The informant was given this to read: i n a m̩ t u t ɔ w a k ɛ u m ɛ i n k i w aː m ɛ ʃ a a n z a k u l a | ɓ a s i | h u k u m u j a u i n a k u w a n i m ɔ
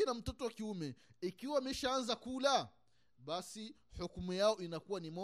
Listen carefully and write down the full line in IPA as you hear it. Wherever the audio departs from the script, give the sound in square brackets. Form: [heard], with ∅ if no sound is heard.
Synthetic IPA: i n a m̩ t [ɔ] t ɔ w a k [i] u m ɛ i [∅] k i w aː m ɛ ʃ a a n z a k u l a | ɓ a s i | h u k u m u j a [ɔ] i n a k u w a n i m ɔ